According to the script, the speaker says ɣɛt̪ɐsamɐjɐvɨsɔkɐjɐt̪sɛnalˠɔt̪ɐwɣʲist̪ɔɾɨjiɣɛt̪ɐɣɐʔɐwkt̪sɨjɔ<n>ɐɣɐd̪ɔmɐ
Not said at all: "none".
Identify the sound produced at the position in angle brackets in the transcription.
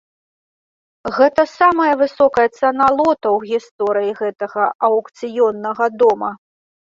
nː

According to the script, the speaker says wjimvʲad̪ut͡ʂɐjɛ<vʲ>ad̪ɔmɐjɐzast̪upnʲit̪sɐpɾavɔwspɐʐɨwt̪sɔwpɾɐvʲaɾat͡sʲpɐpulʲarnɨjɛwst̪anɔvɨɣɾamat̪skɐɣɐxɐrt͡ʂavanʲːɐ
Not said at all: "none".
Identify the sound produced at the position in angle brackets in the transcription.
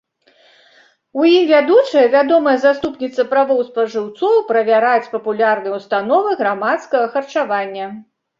vʲ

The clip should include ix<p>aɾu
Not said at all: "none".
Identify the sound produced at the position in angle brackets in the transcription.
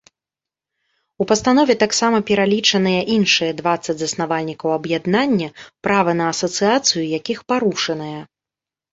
p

